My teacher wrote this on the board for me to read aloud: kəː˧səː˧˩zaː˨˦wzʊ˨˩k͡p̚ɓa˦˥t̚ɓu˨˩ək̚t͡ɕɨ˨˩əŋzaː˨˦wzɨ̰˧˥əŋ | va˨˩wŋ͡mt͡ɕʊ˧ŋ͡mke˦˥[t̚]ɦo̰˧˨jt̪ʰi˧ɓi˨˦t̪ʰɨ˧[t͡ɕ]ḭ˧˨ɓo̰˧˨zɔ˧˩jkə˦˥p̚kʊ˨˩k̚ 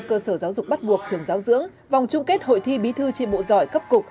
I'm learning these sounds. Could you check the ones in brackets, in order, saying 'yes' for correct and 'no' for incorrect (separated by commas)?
yes, yes